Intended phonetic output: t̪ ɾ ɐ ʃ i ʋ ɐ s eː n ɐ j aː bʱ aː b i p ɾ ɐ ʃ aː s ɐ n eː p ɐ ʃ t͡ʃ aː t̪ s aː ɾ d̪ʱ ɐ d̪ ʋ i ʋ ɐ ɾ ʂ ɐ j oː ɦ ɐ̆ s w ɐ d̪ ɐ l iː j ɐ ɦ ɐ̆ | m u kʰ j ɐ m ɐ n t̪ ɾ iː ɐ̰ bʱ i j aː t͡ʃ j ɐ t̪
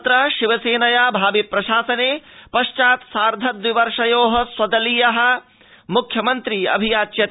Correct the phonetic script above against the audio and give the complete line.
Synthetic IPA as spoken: t̪ ɾ ɐ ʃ i ʋ ɐ s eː n ɐ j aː bʱ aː b i p ɾ ɐ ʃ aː s ɐ n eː p ɐ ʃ t͡ʃ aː t̪ s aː ɾ d̪ʱ ɐ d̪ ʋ i ʋ ɐ ɾ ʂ ɐ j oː ɦ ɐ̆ s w ɐ d̪ ɐ l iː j ɐ ɦ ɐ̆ | m u kʰ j ɐ m ɐ n t̪ ɾ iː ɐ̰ bʱ i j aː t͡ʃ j ɐ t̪